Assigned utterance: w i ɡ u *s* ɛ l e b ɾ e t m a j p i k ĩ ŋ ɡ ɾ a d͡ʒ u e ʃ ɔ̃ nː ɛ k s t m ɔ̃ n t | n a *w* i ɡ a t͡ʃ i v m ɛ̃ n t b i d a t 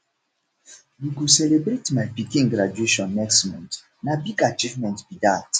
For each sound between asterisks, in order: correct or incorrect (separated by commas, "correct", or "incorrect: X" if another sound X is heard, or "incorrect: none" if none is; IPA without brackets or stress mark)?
correct, incorrect: b